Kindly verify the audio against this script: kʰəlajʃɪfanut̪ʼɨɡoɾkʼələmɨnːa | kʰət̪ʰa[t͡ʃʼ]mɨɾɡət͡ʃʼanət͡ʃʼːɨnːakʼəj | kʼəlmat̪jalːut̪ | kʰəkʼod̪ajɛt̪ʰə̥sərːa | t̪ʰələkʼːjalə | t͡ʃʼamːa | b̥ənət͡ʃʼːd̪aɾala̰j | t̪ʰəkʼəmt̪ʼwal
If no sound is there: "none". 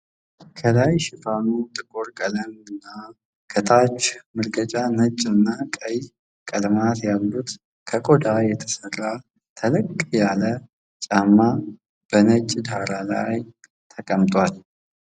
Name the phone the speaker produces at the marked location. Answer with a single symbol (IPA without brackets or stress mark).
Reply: t͡ʃ